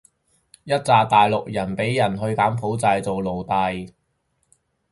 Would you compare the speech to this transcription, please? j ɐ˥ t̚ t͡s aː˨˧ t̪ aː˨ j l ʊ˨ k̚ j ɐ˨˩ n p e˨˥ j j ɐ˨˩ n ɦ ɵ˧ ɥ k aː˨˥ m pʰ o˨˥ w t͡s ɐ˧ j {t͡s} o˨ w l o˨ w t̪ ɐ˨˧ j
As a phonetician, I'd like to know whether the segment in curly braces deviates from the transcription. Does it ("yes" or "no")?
no